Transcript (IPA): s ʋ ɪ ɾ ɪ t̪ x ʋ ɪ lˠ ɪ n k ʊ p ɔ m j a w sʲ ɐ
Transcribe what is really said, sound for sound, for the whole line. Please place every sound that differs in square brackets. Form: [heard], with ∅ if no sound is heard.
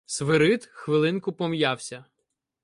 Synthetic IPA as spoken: s ʋ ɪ ɾ ɪ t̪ x ʋ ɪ lˠ ɪ n k ʊ p ɔ m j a w sʲ ɐ